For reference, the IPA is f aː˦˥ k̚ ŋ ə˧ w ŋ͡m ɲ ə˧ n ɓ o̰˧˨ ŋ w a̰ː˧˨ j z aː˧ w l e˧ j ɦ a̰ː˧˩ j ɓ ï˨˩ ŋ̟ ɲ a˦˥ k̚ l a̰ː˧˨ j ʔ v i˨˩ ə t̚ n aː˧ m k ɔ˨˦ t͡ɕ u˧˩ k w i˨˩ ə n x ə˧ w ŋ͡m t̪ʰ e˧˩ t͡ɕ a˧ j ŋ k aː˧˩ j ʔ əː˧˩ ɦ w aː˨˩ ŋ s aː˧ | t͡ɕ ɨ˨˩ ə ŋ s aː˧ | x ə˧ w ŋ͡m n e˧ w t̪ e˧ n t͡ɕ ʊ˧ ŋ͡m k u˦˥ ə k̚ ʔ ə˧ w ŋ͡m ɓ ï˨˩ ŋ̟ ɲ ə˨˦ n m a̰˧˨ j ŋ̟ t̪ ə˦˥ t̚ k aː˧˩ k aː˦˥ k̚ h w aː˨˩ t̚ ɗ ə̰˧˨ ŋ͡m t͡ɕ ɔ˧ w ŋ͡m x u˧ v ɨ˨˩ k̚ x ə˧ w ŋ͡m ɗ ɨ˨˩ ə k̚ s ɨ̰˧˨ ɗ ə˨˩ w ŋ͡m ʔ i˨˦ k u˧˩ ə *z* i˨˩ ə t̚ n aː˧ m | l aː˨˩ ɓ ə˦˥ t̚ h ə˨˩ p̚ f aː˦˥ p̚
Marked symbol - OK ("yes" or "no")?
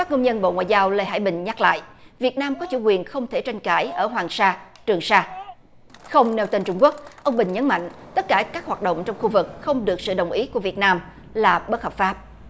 no